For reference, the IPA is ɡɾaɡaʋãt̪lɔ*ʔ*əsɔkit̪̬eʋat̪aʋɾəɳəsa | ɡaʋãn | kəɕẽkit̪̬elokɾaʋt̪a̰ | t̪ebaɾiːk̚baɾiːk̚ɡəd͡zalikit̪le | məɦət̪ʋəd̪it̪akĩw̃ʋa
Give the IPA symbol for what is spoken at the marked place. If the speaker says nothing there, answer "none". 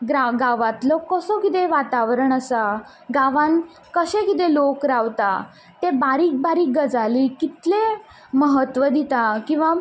k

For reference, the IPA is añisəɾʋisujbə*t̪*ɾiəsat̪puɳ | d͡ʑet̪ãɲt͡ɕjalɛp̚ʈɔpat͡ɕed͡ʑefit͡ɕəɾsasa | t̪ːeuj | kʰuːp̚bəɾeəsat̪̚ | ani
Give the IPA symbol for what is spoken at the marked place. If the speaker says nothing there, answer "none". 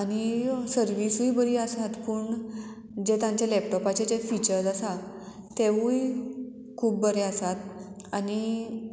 none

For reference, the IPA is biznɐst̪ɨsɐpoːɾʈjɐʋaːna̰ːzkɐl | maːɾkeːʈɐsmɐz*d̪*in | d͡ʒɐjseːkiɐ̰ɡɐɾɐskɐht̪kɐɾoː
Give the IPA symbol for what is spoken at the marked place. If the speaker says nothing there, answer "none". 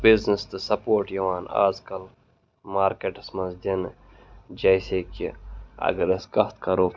d̪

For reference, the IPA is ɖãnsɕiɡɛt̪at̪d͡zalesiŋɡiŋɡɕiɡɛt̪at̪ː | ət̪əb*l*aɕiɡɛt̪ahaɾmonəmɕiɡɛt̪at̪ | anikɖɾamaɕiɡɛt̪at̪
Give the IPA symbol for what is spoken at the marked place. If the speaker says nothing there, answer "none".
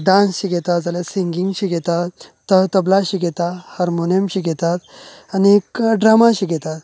l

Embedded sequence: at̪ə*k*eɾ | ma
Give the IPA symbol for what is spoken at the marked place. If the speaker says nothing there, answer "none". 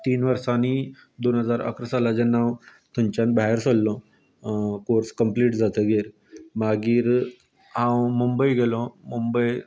ɡ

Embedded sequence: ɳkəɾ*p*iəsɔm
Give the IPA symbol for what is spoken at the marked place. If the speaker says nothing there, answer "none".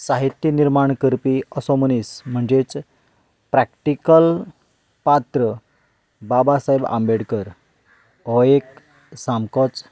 p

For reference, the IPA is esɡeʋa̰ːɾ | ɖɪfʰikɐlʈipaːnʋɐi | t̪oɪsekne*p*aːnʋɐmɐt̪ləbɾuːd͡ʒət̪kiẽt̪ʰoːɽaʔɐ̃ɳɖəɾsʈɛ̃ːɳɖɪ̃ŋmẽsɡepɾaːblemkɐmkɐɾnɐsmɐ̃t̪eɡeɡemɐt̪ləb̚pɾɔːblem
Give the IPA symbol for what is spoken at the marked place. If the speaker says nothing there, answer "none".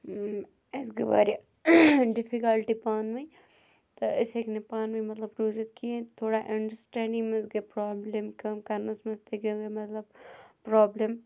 p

